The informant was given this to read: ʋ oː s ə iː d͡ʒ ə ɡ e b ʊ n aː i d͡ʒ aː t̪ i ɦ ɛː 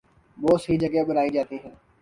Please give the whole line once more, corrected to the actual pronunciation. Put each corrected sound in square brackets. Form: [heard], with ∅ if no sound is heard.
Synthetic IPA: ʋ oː s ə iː d͡ʒ ə ɡ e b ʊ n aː i d͡ʒ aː t̪ i ɦ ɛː